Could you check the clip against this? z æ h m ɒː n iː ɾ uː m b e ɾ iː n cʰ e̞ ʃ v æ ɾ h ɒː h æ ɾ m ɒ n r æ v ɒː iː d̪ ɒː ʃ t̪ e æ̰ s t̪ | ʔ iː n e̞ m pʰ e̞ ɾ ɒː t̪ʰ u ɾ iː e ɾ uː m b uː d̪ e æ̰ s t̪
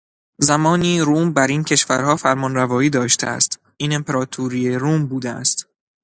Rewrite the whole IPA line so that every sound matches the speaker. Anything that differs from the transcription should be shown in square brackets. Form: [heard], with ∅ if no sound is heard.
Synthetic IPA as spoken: z æ [∅] m ɒː n iː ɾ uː m b [æ] ɾ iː n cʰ e̞ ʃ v æ ɾ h ɒː [f] æ ɾ m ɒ n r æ v ɒː iː d̪ ɒː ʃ t̪ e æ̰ s t̪ | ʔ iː n e̞ m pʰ e̞ ɾ ɒː t̪ʰ u ɾ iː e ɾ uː m b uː d̪ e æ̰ s t̪